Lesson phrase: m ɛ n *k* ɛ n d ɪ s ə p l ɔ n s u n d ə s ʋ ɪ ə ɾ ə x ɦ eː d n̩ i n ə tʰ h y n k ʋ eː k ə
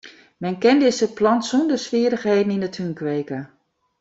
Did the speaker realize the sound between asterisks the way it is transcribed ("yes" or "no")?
yes